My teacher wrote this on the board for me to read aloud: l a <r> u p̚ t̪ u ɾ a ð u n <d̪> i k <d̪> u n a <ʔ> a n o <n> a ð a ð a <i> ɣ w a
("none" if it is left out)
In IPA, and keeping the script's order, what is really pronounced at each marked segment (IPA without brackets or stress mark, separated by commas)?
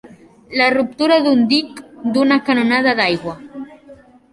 r, d̪, d̪, k, n, j